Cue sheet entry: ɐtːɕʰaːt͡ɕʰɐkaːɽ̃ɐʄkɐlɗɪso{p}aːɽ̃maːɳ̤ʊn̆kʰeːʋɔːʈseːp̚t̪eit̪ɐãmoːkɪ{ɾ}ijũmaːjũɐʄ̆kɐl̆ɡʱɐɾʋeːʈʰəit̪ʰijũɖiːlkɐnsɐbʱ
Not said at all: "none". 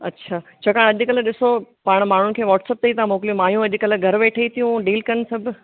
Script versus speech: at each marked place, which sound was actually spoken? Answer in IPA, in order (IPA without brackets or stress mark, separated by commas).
p, l